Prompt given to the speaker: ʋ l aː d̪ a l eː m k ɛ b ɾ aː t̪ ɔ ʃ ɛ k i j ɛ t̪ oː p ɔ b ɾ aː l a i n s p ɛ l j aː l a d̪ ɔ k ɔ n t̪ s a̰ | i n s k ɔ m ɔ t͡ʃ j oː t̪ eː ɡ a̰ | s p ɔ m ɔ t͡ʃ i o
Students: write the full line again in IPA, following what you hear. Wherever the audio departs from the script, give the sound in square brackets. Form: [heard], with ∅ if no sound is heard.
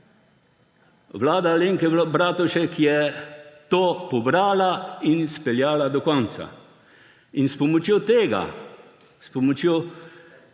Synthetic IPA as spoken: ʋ l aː d̪ a l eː [ŋ] k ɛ b ɾ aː t̪ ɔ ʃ ɛ k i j ɛ t̪ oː p ɔ b ɾ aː l a i n s p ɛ l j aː l a d̪ ɔ k ɔ n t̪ s a̰ | i n s [p] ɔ m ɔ t͡ʃ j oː t̪ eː ɡ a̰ | s p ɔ m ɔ t͡ʃ [j] o